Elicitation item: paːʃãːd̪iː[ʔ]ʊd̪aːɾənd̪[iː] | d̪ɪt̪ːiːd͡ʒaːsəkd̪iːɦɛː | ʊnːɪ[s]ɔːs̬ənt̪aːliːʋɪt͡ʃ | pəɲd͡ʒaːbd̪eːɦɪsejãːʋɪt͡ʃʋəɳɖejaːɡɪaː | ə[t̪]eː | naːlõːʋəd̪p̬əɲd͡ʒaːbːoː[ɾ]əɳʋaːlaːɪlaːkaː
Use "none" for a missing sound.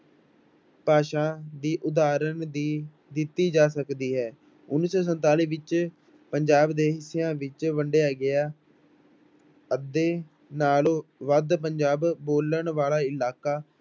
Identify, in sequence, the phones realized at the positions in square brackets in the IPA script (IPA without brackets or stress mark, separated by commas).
ʔ, iː, s, d̪, l